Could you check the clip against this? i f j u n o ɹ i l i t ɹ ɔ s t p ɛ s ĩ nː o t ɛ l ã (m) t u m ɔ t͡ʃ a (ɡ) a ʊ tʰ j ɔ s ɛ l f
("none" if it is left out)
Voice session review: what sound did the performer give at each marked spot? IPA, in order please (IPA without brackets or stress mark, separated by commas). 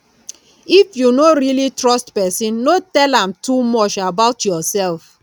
m, b